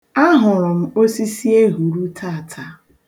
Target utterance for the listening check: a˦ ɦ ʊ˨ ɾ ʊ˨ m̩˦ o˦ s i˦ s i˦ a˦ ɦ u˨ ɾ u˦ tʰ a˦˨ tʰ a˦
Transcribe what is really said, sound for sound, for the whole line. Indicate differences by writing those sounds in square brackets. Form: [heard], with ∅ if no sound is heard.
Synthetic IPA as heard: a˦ ɦ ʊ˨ ɾ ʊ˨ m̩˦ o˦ s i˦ s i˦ [e˦] ɦ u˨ ɾ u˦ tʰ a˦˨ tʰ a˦